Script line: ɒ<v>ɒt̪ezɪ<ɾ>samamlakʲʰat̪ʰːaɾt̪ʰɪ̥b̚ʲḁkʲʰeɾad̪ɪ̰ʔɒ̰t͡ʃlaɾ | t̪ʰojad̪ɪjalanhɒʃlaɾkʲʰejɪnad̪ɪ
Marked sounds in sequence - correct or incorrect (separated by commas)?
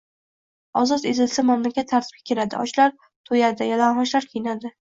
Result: incorrect, incorrect